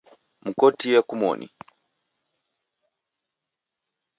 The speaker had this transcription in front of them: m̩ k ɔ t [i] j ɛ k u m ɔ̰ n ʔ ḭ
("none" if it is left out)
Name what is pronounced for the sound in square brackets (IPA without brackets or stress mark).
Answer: i